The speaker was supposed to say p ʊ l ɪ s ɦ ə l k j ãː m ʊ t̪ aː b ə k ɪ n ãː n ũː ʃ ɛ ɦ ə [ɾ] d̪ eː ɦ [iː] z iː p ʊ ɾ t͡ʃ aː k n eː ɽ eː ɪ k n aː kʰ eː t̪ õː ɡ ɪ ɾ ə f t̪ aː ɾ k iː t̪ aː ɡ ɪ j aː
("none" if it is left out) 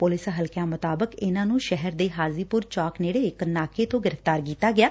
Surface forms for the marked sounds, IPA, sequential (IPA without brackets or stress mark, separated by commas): ɾ, aː